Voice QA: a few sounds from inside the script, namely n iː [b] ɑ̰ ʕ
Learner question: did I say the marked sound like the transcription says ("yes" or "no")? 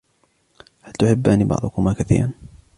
yes